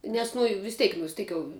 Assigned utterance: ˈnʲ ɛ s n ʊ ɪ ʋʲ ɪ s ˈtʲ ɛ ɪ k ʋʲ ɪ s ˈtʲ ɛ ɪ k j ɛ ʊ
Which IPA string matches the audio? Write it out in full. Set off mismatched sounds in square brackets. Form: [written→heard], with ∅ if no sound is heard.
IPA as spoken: ˈnʲ ɛ s n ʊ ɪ ʋʲ ɪ s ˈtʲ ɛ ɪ k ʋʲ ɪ s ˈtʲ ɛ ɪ k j ɛ ʊ